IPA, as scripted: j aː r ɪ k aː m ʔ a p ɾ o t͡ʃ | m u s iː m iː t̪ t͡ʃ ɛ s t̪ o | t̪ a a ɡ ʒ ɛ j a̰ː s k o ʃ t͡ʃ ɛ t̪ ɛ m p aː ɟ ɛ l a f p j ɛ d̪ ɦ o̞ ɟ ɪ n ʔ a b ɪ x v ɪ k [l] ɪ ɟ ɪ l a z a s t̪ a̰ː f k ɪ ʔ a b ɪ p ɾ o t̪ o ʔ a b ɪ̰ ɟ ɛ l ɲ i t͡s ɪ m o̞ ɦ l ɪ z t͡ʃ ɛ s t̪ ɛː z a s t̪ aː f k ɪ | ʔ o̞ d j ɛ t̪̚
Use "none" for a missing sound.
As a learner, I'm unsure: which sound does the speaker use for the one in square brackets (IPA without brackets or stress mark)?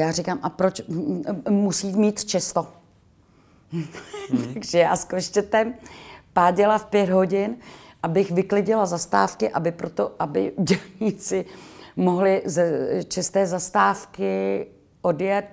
l